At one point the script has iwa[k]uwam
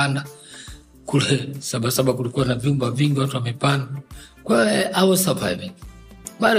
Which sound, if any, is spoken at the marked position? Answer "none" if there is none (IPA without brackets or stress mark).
t